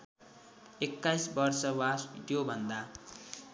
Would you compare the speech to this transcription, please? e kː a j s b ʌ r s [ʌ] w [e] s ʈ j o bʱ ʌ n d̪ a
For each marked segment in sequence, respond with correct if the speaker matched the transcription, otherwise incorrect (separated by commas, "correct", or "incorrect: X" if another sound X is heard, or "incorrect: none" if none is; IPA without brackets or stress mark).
correct, incorrect: a